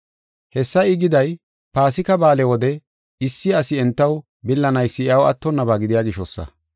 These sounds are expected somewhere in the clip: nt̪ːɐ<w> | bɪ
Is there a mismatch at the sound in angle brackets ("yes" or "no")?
no